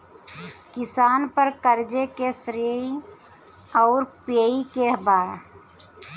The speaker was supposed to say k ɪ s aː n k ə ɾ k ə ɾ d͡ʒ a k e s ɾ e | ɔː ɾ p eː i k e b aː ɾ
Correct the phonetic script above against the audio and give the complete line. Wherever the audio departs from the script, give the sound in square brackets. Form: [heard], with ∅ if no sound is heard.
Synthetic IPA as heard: k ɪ s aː n [p] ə ɾ k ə ɾ d͡ʒ [e] k e s ɾ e | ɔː ɾ p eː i k e b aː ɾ